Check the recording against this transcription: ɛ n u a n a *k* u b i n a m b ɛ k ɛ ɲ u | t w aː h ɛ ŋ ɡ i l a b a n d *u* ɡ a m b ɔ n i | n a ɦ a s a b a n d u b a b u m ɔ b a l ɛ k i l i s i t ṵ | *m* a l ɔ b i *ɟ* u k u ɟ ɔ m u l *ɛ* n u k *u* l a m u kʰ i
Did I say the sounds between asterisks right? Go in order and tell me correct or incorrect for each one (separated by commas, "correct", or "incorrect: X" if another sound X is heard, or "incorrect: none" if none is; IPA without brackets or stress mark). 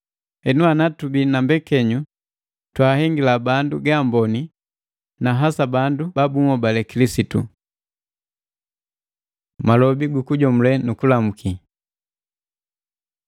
incorrect: t, correct, correct, incorrect: ɡ, correct, correct